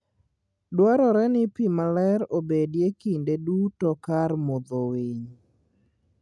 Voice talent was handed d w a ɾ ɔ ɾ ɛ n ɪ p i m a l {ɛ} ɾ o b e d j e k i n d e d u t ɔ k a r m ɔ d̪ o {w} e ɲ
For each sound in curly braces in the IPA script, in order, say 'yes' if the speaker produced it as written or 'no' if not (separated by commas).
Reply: yes, yes